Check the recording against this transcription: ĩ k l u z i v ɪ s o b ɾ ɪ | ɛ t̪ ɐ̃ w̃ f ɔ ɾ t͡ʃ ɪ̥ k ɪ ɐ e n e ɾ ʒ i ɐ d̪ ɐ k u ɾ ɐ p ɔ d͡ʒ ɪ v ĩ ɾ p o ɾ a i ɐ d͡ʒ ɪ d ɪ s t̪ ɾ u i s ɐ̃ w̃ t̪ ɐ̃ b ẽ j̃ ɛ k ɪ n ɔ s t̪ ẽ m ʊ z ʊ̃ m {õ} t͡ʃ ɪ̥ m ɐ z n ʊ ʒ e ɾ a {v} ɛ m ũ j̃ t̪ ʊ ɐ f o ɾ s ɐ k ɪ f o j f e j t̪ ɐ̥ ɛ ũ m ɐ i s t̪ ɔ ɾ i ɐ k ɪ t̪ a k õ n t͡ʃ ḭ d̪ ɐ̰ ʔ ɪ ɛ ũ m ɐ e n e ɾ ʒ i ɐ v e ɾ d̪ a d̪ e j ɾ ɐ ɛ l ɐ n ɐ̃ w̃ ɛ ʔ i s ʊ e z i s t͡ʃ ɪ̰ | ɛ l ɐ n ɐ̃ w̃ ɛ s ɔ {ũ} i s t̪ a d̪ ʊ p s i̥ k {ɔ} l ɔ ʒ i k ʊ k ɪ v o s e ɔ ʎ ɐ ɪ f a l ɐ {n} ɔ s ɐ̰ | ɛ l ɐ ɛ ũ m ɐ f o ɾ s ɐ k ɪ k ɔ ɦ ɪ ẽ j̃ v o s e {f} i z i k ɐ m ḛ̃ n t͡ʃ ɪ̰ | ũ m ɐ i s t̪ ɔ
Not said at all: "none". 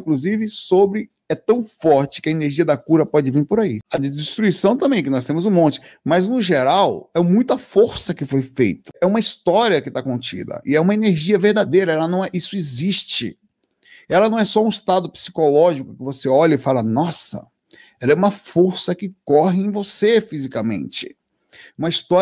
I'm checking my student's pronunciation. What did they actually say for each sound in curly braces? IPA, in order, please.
õ, w, ũ, o, n, f

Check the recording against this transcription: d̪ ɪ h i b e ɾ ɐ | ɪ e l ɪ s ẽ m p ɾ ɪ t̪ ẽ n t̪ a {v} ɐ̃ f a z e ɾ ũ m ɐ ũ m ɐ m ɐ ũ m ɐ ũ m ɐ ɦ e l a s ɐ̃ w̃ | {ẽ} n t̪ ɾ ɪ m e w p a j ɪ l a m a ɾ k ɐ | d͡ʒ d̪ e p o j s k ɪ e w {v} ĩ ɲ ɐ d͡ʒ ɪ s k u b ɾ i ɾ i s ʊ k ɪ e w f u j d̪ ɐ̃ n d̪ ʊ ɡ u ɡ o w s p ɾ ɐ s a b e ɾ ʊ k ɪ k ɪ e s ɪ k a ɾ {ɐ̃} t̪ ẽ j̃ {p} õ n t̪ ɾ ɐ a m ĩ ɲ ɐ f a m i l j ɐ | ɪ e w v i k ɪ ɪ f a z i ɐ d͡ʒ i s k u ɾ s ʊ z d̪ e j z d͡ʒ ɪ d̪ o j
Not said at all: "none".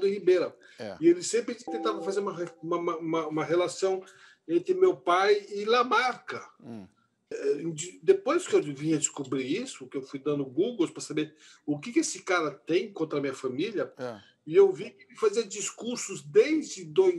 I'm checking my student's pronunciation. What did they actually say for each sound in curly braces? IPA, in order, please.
v, ẽ, v, ɐ, k

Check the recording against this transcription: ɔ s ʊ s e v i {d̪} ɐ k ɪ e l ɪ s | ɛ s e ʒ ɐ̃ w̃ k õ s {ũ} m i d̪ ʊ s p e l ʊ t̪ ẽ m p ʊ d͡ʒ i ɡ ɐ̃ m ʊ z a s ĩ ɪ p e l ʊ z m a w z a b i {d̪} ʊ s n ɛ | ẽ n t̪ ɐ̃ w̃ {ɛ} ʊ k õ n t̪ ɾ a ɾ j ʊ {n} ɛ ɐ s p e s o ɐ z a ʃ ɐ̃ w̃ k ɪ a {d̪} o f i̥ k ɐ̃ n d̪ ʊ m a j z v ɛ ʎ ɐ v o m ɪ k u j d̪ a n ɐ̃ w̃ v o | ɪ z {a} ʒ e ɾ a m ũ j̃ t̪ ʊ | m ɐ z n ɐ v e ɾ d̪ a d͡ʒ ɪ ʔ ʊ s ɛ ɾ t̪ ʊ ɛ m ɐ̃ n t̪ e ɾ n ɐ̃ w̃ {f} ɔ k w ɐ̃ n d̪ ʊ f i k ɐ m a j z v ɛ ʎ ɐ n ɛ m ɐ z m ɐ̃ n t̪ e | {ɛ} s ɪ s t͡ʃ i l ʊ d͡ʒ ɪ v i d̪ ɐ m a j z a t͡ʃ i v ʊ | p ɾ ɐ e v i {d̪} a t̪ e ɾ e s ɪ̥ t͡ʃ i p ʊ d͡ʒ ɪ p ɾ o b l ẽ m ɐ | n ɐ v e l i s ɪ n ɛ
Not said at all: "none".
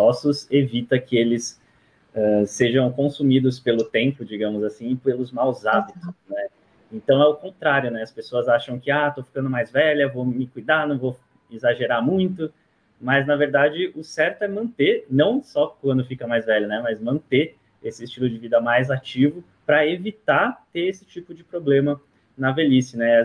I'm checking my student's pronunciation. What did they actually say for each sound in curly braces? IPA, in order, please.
t̪, u, t̪, ɛ, n, t̪, a, s, e, t̪

